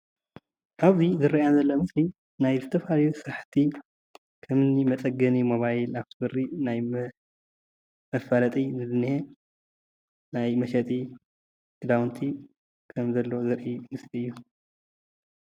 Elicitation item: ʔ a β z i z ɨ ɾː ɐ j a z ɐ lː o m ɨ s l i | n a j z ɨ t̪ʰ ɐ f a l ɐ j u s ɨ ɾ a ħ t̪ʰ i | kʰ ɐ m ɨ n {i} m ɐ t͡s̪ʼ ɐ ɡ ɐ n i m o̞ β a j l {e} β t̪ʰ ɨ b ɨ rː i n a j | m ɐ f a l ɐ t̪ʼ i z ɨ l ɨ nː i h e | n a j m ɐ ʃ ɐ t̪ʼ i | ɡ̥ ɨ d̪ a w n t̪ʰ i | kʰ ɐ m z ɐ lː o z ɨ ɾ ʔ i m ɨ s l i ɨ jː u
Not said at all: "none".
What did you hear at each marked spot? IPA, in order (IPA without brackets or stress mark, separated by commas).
i, a